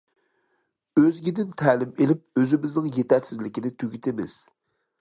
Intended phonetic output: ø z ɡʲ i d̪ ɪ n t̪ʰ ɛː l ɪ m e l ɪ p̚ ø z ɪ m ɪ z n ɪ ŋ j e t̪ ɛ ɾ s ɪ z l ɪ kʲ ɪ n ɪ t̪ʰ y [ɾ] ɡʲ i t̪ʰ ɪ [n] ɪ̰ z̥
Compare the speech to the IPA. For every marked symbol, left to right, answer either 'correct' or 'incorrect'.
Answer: incorrect: none, incorrect: m

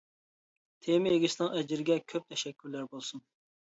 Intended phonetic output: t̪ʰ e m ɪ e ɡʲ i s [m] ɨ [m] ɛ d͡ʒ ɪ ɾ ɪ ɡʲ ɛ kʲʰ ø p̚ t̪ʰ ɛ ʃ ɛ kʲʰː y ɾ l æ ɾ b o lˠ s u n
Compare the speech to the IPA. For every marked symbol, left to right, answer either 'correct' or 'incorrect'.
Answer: incorrect: n, incorrect: ŋ

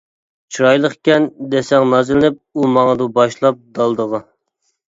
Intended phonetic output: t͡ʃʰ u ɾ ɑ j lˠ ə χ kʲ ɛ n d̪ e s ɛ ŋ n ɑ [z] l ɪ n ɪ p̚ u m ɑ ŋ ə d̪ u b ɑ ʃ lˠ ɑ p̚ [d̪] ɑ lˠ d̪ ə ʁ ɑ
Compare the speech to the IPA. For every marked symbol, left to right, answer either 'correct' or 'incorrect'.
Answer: correct, correct

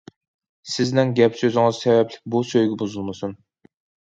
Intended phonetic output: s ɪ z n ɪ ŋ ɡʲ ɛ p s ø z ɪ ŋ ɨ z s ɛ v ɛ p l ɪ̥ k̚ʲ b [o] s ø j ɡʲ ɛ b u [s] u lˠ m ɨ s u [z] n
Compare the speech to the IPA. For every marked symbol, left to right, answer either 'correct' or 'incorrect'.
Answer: incorrect: u, incorrect: z, incorrect: none

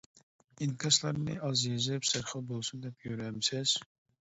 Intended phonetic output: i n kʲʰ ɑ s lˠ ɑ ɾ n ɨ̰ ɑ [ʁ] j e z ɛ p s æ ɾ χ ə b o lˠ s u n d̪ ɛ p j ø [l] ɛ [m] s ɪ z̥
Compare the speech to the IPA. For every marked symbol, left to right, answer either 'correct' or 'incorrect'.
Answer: incorrect: z, incorrect: ɾ, correct

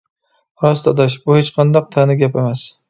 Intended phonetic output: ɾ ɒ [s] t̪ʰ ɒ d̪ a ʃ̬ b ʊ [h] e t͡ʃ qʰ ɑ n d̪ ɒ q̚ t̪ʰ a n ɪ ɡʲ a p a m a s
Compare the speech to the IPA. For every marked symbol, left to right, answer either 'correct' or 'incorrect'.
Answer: correct, correct

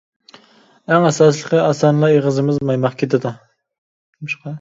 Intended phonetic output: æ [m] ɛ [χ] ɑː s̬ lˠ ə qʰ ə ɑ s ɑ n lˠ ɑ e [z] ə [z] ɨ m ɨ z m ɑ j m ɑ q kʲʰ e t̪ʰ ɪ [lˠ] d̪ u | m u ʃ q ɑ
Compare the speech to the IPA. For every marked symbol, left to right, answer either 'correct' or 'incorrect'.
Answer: incorrect: ŋ, incorrect: s, incorrect: ʁ, correct, incorrect: none

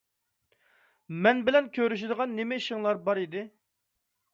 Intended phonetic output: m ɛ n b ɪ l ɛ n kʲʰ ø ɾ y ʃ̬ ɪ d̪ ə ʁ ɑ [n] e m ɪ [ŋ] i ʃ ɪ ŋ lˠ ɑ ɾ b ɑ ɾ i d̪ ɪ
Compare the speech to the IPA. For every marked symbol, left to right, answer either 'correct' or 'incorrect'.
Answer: incorrect: nː, incorrect: none

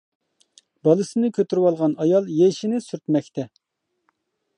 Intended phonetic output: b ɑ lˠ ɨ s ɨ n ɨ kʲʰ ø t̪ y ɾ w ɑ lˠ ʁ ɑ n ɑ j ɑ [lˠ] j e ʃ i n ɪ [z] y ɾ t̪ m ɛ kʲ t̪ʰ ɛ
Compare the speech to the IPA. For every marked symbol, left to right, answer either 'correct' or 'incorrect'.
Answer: correct, incorrect: s

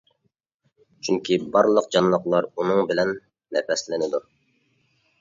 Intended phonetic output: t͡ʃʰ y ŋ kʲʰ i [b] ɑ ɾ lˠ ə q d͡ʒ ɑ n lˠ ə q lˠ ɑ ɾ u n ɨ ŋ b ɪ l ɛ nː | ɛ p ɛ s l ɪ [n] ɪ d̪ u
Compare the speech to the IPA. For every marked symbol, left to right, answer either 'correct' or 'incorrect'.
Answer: correct, correct

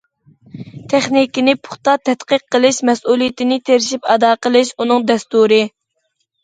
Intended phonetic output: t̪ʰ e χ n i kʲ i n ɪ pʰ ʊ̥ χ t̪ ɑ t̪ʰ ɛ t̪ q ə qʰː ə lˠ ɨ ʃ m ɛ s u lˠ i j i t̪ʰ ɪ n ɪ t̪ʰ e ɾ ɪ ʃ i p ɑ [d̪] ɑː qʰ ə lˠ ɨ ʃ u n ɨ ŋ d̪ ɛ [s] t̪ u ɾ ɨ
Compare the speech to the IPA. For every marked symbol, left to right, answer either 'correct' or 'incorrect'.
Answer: correct, correct

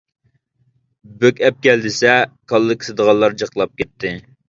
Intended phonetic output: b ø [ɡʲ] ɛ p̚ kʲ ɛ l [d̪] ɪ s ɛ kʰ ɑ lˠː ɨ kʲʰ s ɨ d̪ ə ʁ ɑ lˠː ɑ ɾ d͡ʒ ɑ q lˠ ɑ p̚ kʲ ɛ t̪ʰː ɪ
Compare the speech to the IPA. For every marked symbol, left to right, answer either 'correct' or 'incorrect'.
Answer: incorrect: kʲ, correct

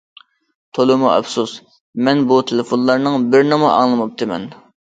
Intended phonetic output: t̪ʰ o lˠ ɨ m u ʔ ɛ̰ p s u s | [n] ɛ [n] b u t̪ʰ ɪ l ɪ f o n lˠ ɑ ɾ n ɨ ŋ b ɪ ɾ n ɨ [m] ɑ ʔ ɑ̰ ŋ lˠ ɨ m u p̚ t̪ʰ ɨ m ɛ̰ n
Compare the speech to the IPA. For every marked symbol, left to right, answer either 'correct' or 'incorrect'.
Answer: incorrect: m, correct, correct

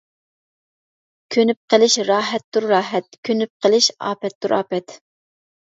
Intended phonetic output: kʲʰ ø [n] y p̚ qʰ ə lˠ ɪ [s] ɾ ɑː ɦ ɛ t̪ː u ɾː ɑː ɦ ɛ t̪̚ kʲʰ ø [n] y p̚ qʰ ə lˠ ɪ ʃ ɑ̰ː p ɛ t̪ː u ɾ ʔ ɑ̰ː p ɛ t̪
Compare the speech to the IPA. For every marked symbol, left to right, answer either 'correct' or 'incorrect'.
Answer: correct, incorrect: ʃ, correct

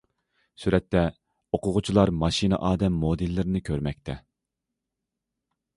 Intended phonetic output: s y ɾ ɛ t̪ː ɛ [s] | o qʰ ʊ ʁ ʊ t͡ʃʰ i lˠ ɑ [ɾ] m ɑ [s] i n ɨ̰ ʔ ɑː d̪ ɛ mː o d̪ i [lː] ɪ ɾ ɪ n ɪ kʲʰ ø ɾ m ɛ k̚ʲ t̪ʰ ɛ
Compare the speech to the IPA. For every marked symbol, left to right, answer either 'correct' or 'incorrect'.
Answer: incorrect: none, correct, incorrect: ʃ, correct

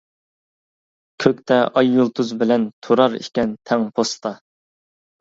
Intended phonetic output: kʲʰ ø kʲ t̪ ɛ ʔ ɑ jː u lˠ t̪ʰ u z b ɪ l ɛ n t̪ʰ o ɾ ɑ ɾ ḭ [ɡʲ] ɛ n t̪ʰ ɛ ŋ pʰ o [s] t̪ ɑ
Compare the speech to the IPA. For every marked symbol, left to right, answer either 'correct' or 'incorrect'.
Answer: incorrect: kʲ, correct

